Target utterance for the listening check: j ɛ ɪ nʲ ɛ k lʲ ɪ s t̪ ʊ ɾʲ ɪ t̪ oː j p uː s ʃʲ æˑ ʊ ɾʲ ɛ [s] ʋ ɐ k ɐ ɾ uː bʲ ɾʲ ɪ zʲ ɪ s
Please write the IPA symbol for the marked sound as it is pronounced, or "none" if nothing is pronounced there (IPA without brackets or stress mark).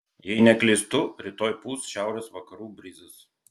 s